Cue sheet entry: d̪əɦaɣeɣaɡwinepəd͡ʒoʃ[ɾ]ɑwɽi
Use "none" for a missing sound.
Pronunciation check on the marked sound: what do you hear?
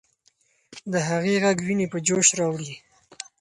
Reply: ɾ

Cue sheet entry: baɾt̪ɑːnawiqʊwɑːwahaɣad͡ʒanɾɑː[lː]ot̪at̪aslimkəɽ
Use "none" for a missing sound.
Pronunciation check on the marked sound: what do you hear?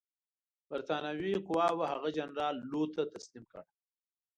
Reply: lː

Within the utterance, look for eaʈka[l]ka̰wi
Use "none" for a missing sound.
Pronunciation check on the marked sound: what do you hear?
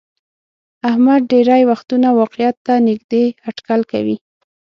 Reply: l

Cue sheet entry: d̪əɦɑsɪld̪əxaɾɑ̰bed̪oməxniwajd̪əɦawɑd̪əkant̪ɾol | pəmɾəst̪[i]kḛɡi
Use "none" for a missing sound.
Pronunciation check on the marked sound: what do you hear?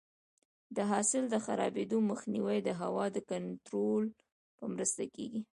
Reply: a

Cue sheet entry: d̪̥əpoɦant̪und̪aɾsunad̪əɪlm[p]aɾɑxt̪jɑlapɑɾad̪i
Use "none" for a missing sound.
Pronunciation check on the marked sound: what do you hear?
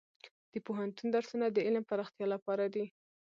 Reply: p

